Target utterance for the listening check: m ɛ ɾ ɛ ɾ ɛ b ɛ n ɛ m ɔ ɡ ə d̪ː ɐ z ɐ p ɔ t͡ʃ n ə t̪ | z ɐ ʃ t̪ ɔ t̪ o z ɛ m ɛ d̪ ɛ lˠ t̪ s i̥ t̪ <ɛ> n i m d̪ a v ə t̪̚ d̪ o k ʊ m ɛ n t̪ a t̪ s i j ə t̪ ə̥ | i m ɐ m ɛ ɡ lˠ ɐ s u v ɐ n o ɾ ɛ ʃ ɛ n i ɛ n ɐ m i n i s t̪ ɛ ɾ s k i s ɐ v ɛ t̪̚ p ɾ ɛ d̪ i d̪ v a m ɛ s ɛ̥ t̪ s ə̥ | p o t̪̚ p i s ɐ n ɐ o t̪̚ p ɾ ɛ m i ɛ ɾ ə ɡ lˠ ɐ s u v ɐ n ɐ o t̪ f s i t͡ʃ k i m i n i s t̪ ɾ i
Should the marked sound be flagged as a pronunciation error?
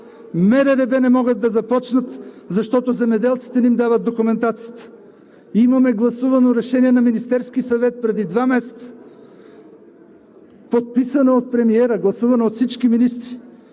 no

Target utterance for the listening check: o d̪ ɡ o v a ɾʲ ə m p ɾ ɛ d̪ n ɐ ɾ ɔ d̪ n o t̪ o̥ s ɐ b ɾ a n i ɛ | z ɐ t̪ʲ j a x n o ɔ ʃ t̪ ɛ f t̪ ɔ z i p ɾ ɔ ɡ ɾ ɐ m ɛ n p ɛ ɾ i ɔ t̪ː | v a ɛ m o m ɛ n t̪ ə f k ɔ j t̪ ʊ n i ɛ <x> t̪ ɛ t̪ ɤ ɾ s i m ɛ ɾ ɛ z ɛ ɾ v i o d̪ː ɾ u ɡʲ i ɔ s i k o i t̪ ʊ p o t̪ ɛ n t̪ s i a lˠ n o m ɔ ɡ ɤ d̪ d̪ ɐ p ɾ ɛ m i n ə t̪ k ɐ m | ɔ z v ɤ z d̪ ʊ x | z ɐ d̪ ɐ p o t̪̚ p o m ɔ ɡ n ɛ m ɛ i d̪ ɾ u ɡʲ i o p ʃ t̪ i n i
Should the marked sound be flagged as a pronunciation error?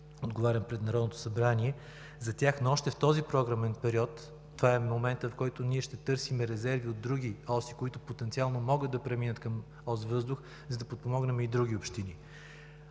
yes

